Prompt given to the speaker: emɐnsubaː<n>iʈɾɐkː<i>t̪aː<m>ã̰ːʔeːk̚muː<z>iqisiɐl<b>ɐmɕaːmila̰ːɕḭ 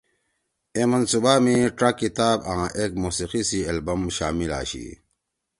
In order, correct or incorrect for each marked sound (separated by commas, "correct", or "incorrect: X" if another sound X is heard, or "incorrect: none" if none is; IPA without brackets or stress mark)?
incorrect: m, correct, incorrect: b, incorrect: s, correct